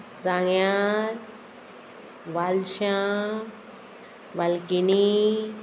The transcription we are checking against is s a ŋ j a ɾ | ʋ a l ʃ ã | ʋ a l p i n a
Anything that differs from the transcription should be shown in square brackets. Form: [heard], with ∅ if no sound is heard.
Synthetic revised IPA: s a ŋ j a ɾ | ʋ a l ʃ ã | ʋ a l [k] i n [i]